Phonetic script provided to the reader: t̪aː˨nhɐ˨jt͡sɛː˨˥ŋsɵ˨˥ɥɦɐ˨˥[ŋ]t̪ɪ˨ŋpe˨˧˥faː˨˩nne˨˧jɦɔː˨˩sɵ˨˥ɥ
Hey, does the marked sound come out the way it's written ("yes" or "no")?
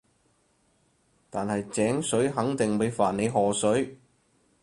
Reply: yes